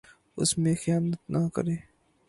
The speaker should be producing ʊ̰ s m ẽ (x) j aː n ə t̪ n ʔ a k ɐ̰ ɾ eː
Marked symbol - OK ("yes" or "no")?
yes